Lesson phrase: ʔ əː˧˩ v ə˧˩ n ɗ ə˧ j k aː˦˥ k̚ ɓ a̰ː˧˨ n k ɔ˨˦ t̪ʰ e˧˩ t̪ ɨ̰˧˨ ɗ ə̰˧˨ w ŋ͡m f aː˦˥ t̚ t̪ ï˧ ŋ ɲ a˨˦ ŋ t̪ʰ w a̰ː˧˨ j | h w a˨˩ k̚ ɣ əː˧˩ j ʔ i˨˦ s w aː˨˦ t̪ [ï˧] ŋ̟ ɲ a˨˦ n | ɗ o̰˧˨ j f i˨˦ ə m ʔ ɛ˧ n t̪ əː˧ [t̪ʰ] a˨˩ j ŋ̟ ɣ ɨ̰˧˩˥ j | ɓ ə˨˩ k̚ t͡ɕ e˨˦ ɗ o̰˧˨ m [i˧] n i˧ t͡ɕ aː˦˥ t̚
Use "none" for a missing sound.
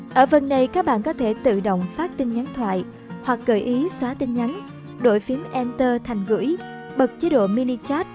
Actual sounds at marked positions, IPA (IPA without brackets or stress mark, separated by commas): ï˧, t̪ʰ, i˧